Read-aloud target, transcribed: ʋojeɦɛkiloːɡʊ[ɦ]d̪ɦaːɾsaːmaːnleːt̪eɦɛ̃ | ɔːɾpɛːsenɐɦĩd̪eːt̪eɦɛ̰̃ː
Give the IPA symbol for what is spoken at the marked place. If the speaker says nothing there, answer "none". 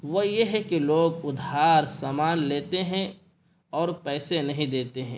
none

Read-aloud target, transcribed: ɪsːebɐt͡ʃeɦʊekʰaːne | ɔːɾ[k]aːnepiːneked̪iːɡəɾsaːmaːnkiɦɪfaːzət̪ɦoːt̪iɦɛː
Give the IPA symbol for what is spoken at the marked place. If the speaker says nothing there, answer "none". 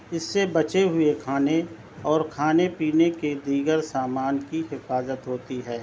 kʰ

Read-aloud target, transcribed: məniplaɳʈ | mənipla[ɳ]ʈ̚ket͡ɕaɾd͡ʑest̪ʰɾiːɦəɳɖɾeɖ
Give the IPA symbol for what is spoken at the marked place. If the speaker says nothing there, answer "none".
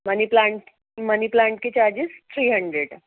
ɳ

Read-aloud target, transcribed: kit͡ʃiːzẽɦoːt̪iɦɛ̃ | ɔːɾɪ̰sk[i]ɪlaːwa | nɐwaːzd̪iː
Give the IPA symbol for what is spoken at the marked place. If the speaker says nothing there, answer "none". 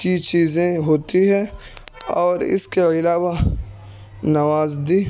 e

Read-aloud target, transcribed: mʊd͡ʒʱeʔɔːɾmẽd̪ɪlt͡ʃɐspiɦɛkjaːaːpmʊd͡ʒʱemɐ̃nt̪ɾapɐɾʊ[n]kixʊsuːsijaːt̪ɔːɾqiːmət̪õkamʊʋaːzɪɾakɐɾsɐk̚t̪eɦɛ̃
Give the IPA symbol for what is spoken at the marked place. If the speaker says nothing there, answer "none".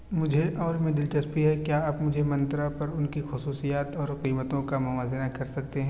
n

